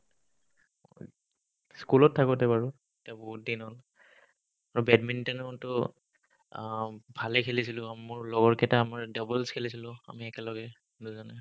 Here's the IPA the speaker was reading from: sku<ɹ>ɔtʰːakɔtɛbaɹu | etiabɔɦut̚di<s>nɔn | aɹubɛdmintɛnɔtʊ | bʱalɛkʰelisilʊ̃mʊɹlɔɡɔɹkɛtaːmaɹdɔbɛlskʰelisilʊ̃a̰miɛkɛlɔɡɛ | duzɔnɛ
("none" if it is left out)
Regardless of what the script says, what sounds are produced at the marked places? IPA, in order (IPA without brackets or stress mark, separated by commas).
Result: l, none